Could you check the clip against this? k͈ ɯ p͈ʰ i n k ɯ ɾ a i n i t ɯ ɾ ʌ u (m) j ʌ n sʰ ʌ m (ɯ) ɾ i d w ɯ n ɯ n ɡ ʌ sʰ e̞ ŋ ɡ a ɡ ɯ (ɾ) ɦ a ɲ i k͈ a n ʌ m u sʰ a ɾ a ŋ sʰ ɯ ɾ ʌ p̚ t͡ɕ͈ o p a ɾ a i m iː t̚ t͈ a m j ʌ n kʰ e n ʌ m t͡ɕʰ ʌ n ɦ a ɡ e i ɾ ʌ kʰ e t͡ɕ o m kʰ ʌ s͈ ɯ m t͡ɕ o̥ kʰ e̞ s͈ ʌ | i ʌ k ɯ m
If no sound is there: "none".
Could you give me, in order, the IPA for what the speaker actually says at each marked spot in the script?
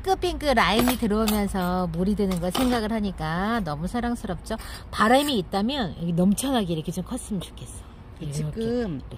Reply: m, u, ɭ

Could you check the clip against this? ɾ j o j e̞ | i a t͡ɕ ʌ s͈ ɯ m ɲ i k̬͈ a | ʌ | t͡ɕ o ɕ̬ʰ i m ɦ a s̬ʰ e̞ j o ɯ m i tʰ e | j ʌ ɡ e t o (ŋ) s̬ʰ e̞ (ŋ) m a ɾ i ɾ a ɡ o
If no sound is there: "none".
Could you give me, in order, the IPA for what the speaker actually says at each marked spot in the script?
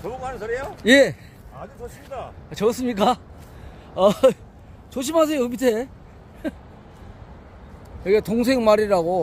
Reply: ŋ, ŋ

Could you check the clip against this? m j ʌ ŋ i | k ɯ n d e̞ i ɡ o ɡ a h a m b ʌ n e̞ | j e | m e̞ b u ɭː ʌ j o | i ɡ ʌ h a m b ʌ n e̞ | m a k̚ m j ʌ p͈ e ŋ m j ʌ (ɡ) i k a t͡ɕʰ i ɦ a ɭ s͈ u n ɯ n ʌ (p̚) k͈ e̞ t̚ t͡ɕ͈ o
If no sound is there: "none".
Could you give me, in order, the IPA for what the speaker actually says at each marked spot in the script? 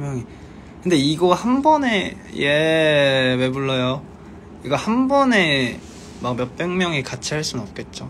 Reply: ŋ, p̚

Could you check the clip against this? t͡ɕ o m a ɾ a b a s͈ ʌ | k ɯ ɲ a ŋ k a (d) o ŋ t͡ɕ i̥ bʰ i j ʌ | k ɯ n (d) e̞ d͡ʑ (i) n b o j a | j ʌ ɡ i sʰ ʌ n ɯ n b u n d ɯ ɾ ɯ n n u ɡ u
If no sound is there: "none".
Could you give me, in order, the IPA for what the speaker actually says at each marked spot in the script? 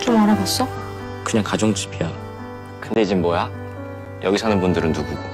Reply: d͡ʑ, d, i

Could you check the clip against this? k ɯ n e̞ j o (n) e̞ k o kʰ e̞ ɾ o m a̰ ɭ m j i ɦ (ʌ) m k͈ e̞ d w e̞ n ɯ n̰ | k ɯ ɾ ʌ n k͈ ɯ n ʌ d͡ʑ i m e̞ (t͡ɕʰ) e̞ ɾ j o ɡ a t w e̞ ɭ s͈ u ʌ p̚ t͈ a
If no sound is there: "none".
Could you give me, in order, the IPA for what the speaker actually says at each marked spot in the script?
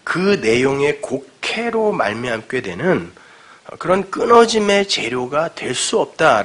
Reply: ŋ, a, t͡ɕ

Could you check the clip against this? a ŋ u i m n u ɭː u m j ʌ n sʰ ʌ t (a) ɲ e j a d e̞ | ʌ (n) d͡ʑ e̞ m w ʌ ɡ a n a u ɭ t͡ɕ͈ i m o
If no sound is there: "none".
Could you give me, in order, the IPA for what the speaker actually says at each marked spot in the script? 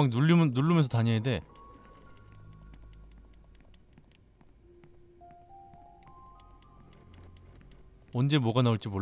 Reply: a, n

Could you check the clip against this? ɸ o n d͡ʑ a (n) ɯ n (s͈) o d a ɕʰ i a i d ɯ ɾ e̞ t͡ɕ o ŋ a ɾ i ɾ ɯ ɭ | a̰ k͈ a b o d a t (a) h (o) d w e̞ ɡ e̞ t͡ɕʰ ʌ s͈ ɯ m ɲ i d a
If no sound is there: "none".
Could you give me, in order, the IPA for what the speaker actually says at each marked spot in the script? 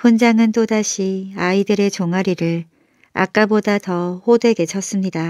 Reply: ŋ, t͈, ʌ, o

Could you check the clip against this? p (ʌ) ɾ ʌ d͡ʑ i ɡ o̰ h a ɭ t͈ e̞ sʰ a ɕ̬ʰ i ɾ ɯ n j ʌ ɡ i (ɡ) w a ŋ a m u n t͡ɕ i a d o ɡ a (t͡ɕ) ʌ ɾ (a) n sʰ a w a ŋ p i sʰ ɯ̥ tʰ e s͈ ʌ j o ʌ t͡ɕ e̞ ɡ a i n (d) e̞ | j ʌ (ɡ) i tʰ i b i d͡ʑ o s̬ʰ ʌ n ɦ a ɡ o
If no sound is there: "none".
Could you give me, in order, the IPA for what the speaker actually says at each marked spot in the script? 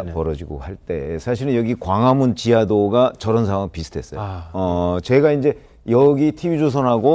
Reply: ʌ, k, t͡ɕ, ʌ, d͡ʑ, ɡ

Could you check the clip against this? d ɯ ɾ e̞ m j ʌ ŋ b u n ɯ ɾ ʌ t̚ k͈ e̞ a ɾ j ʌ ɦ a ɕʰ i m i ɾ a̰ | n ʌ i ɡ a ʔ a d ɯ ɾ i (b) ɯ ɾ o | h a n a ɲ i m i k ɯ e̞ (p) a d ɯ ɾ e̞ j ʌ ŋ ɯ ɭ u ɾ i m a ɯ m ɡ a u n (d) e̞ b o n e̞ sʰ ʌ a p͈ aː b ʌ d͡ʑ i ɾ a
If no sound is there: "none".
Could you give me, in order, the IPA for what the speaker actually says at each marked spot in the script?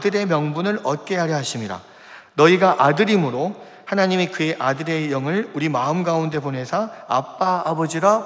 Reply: m, ʔ, d

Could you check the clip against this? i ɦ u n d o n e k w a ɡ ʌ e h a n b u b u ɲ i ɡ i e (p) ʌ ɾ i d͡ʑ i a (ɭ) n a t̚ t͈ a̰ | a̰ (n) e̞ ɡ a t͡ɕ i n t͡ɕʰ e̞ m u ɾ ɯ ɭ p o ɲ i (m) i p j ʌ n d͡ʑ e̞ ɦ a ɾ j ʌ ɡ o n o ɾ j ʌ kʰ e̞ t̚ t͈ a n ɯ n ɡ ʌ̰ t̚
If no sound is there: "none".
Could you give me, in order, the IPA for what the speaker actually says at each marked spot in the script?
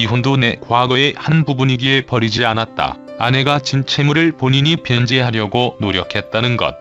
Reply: p, none, n, ɲ

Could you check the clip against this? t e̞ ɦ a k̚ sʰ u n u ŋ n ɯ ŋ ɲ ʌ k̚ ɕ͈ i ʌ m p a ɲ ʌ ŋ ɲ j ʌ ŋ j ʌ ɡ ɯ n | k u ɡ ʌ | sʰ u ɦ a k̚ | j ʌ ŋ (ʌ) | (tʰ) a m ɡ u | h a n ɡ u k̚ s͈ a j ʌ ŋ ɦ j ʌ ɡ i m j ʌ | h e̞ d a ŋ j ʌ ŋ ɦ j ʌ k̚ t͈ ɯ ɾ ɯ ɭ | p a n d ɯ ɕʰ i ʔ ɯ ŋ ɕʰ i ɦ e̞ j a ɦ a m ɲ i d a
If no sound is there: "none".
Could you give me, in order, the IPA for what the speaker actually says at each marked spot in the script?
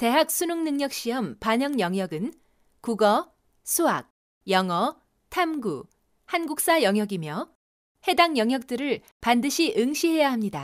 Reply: ʌ, tʰ

